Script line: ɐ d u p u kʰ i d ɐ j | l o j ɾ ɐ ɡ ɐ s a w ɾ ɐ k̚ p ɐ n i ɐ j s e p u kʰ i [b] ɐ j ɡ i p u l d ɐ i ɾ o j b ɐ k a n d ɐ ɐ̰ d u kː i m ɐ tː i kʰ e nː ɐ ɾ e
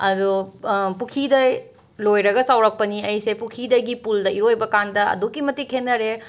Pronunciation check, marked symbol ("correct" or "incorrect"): incorrect